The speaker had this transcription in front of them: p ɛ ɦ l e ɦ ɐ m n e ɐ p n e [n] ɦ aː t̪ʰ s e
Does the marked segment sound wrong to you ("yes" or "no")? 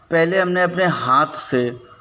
yes